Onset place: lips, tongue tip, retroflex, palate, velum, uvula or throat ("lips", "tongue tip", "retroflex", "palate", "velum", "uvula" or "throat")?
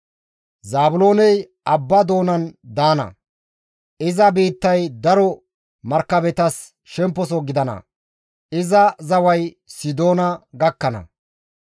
tongue tip